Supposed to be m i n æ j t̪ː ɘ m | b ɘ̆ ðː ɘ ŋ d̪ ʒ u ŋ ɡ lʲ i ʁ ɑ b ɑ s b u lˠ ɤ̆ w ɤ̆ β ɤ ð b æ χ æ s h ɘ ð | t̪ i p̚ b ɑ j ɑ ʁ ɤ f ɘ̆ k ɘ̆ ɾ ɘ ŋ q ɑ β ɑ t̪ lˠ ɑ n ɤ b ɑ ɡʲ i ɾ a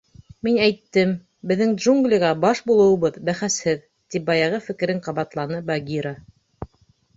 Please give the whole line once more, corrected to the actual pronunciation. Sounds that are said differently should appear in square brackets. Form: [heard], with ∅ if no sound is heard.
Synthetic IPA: m i n æ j t̪ː ɘ m | b ɘ̆ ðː ɘ ŋ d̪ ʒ u ŋ ɡ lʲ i ʁ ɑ b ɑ [ʃ] b u lˠ ɤ̆ w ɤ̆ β ɤ ð b æ χ æ s h ɘ ð | t̪ i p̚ b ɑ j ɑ ʁ ɤ f ɘ̆ k ɘ̆ ɾ ɘ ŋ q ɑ β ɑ t̪ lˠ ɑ n ɤ b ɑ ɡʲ i ɾ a